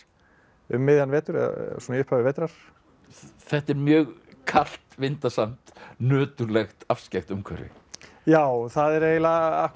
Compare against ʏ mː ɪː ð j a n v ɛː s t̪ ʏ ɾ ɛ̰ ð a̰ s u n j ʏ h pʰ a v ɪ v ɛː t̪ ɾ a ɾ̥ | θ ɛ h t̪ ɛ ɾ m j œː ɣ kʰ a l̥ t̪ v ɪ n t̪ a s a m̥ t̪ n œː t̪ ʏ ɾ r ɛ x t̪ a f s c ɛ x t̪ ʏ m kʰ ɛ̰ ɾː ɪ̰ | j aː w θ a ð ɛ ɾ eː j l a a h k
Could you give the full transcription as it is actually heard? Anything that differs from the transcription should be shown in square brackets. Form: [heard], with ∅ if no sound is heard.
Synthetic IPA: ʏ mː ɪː ð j a n v ɛː [∅] t̪ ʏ ɾ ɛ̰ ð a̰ s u n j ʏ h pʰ a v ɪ v ɛː t̪ ɾ a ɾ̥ | θ ɛ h t̪ ɛ ɾ m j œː ɣ kʰ a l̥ t̪ v ɪ n t̪ a s a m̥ t̪ n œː t̪ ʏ ɾ [l] ɛ x t̪ a f s c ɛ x t̪ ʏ m kʰ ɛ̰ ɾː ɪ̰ | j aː w θ a ð ɛ ɾ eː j l a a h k